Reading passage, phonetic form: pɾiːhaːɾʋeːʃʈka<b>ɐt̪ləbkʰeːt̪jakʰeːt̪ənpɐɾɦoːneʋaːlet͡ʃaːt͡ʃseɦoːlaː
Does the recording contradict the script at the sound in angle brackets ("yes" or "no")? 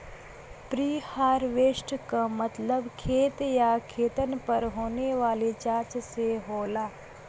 yes